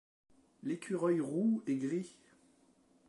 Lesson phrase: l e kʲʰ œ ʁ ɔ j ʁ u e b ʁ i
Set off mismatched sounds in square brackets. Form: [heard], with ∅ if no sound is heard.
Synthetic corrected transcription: l e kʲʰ [y] ʁ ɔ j ʁ u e [ɡ] ʁ i